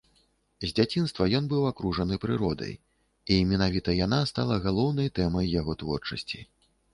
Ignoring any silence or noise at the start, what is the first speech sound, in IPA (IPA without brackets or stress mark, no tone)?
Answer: zʲ